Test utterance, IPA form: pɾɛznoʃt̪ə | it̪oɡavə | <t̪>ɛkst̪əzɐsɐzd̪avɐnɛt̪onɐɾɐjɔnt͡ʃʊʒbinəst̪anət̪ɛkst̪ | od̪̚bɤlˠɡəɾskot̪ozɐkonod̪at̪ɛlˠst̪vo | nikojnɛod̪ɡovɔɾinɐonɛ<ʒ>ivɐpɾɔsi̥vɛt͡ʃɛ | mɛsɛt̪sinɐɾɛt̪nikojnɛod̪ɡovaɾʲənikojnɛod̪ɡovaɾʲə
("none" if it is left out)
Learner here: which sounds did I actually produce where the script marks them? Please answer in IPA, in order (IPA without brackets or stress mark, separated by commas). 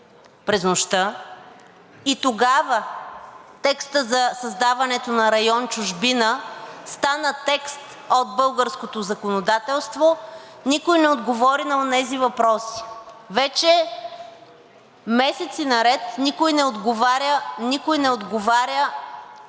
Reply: t̪, z